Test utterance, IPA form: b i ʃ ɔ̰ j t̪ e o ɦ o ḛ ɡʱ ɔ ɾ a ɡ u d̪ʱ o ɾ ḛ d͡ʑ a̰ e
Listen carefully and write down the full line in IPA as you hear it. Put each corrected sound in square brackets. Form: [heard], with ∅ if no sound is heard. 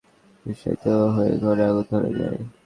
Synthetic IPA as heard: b i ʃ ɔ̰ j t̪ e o ɦ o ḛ ɡʱ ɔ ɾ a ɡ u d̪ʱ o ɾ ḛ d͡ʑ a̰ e